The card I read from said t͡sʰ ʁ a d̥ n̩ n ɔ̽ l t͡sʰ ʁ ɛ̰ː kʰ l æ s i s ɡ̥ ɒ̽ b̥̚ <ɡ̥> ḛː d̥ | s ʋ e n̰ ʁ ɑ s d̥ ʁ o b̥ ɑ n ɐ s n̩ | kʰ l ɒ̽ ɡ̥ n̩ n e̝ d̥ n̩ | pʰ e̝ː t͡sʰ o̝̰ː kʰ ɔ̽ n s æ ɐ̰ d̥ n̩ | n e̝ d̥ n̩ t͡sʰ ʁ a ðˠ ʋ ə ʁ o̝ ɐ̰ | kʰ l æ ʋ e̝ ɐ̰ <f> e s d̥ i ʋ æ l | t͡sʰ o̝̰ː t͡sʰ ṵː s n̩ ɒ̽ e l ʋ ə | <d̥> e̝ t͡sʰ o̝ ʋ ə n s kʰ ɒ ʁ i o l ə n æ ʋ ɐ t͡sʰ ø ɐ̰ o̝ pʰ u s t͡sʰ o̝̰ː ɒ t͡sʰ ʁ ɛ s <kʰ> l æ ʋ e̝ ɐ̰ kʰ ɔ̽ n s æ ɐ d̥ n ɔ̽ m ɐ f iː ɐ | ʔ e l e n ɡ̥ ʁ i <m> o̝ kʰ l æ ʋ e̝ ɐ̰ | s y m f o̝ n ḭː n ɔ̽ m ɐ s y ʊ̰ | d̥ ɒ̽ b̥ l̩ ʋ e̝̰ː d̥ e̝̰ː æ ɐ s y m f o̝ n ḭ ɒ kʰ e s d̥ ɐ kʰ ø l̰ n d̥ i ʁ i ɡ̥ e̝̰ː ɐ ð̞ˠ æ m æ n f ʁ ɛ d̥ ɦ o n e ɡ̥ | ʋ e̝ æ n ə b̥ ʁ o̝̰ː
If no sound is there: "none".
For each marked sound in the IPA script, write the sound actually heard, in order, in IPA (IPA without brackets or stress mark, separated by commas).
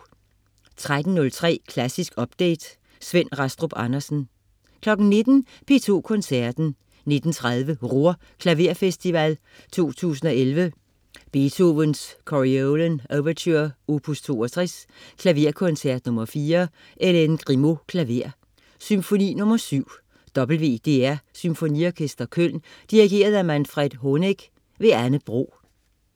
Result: d̥, f, b̥, kʰ, m